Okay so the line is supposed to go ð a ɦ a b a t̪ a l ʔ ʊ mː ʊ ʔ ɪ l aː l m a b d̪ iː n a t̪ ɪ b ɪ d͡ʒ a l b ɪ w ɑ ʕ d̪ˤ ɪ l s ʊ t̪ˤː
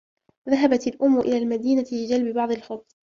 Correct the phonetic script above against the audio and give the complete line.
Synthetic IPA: ð a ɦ a b a t̪ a l ʔ ʊ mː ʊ ʔ ɪ l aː l m a d̪ iː n a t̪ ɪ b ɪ d͡ʒ a l b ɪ b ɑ ʕ d̪ˤ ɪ l x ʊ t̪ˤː